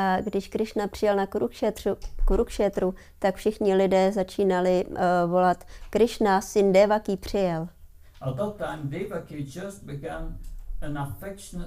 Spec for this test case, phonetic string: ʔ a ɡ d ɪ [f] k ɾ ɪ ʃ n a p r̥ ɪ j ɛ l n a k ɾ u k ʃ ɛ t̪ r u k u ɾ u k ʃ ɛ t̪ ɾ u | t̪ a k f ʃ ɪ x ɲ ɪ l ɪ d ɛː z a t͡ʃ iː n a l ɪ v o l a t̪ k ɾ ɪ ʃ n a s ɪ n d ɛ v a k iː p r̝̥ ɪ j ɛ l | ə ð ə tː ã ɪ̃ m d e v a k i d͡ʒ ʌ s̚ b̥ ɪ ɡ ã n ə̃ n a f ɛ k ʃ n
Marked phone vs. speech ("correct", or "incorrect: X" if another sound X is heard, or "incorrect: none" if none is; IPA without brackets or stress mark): incorrect: ʃ